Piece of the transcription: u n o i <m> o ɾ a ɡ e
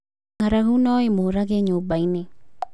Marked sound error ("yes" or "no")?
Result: no